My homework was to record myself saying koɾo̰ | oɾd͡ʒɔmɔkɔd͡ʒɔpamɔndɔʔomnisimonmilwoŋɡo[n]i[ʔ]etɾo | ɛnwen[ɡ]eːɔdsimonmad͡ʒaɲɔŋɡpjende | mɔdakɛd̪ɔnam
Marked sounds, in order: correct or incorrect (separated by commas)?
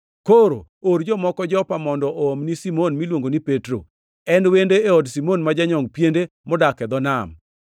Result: correct, incorrect, incorrect